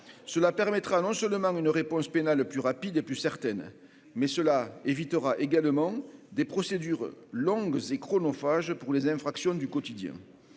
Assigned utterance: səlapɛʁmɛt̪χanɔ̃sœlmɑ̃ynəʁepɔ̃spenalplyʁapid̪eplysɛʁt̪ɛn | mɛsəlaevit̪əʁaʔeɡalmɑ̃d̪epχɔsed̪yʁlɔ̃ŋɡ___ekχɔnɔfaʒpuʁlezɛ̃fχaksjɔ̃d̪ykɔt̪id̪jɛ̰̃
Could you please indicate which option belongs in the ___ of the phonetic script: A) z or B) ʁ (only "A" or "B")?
A